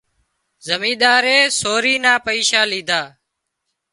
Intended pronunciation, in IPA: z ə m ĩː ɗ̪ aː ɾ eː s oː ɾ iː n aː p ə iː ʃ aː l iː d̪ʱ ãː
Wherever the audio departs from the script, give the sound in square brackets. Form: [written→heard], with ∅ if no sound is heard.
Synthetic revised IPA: z ə m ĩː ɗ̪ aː ɾ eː s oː ɾ iː n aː p ə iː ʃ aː l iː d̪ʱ [ãː→aː]